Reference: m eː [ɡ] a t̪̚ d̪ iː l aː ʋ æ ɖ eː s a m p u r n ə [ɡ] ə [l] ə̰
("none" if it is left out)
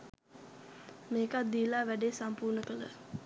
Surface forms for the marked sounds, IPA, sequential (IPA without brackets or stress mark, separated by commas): k, k, l